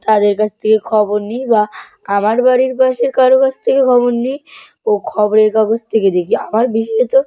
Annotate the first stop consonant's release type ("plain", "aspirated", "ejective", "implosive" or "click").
plain